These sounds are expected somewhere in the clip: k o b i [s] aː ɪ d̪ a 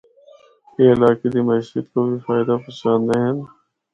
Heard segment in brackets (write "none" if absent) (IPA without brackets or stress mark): f